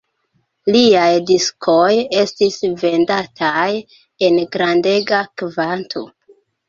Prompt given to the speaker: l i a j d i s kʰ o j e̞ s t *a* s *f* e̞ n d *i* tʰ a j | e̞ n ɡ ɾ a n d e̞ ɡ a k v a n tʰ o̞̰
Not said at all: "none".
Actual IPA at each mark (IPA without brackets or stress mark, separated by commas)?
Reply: i, v, a